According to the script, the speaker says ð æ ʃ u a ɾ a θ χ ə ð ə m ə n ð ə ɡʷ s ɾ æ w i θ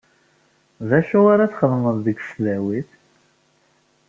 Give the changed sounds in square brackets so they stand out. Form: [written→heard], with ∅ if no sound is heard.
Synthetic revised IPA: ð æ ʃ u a ɾ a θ χ ə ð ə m ə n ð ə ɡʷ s [ɾ→l] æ w i θ

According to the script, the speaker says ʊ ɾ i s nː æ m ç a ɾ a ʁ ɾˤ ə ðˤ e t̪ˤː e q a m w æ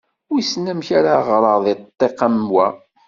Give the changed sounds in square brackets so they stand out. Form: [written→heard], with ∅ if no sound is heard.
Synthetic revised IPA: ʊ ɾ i s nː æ m ç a ɾ a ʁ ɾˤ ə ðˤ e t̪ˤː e q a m w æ

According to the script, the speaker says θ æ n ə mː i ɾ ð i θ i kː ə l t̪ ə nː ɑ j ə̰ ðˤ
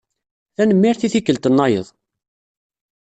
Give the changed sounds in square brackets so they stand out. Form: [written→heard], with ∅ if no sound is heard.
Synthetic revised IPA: θ æ n ə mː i ɾ [ð→θ] i θ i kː ə l t̪ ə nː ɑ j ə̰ ðˤ

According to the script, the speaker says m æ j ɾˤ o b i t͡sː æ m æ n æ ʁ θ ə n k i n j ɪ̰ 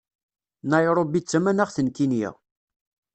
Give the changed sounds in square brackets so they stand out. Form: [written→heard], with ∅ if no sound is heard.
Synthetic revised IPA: [m→n] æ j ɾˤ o b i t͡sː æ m æ n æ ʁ θ ə n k i n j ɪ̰

